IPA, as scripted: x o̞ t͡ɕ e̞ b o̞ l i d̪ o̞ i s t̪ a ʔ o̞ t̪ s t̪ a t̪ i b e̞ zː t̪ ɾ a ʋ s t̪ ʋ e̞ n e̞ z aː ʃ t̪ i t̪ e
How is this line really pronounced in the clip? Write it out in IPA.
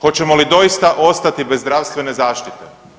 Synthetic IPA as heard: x o̞ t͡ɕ e̞ m o̞ l i d̪ o̞ i s t̪ a ʔ o̞ s t̪ a t̪ i b e̞ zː d̪ ɾ a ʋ s t̪ ʋ e̞ n e̞ z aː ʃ t̪ i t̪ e